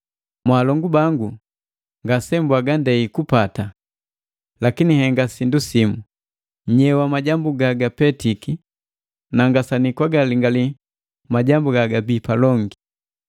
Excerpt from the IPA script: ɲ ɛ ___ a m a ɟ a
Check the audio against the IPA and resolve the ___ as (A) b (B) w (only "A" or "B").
B